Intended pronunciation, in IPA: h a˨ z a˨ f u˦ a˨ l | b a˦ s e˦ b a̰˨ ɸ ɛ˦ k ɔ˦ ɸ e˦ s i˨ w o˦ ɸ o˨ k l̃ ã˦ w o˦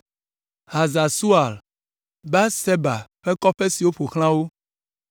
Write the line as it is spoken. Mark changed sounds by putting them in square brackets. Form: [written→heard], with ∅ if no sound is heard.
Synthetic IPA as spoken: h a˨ z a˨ [f→s] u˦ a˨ l | b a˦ s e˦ b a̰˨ ɸ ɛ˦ k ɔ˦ ɸ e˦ s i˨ w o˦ ɸ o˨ [k→x] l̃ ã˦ w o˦